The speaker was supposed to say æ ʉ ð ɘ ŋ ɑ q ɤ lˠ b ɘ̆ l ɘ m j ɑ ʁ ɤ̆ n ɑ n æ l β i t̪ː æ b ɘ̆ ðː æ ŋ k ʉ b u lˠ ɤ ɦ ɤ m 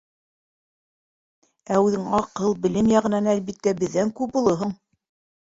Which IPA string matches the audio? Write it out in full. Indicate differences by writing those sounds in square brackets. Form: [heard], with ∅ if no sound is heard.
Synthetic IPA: æ ʉ ð ɘ ŋ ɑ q ɤ lˠ b ɘ̆ l ɘ m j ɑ ʁ ɤ̆ n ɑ n æ l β i t̪ː æ b ɘ̆ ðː æ ŋ k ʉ b u lˠ ɤ ɦ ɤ [ɴ]